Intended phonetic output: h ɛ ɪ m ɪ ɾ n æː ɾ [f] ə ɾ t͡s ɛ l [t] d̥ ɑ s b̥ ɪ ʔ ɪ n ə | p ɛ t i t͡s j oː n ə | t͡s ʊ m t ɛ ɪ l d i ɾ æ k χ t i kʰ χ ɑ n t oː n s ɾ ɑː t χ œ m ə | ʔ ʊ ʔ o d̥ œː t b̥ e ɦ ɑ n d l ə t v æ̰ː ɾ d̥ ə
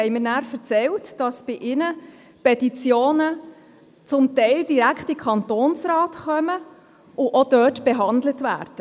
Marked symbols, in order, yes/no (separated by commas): yes, yes